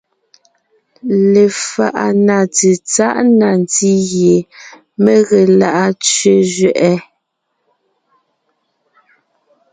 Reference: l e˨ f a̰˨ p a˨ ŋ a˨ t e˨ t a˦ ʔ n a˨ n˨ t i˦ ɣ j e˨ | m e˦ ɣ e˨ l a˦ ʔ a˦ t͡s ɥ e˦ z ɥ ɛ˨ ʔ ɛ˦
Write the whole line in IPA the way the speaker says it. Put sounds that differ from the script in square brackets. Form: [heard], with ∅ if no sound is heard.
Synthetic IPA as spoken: l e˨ f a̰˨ [ʔ] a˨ [n] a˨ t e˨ [t͡s] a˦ ʔ n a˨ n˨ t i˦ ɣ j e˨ | m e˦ ɣ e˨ l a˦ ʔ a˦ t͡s ɥ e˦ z ɥ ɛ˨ ʔ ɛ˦

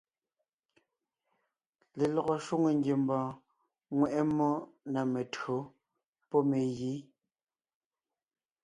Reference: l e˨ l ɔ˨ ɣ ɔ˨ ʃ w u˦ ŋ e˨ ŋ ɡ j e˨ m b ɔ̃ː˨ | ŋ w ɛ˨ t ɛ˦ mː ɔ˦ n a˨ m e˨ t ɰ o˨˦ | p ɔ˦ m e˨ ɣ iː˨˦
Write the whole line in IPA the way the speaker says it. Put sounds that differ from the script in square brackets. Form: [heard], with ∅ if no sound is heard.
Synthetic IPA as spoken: l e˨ l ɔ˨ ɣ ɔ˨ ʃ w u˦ ŋ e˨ ŋ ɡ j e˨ m b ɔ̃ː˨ | ŋ w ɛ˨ [ʔ] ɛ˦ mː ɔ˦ n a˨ m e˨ t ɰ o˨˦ | p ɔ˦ m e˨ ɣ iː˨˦

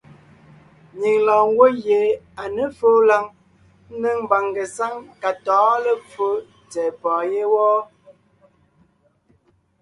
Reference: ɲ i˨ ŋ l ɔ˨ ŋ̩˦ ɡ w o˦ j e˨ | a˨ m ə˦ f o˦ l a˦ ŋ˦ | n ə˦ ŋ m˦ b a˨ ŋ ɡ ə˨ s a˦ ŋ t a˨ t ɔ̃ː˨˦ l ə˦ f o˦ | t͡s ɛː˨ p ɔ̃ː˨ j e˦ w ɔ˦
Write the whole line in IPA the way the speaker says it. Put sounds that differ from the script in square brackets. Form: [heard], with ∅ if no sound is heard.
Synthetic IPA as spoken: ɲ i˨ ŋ l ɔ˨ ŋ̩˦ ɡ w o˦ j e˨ | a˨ [n] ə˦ f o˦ l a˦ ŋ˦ | n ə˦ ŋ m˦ b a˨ ŋ ɡ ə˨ s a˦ ŋ [k] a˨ t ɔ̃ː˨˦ l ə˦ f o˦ | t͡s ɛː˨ p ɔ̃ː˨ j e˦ w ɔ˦

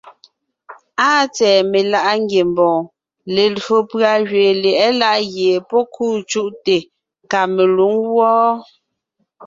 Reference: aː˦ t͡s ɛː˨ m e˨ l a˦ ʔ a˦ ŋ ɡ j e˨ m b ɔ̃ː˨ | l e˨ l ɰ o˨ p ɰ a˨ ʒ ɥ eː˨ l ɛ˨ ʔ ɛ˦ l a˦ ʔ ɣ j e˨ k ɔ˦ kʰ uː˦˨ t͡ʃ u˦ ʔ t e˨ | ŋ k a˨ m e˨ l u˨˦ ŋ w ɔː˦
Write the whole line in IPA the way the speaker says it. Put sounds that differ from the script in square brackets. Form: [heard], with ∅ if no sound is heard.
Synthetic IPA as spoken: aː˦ t͡s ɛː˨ m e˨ l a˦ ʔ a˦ ŋ ɡ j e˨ m b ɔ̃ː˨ | l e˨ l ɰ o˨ p ɰ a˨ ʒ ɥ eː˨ l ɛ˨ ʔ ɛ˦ l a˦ ʔ ɣ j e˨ [p] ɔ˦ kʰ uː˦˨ t͡ʃ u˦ ʔ t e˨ | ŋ k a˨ m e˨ l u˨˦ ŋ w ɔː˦

